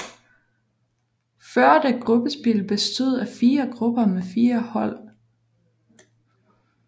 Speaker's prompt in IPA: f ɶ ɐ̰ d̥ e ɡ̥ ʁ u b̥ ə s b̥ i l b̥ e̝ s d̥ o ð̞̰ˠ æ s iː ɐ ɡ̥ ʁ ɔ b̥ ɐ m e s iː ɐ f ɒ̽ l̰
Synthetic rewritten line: f ɶ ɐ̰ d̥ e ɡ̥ ʁ u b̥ ə s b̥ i l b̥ e̝ s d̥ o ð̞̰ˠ æ f iː ɐ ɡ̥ ʁ u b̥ ɐ m e f iː ɐ h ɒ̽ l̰